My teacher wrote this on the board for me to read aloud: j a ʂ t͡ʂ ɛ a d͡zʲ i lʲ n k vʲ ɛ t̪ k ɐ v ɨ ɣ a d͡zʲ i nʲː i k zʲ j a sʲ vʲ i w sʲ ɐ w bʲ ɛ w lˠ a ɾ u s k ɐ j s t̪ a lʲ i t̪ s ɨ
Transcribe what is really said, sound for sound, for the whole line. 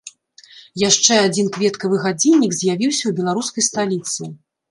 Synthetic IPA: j a ʂ t͡ʂ ɛ a d͡zʲ i n k vʲ ɛ t̪ k ɐ v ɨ ɣ a d͡zʲ i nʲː i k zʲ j a vʲ i w sʲ ɐ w bʲ ɛ lˠ a ɾ u s k ɐ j s t̪ a lʲ i t̪ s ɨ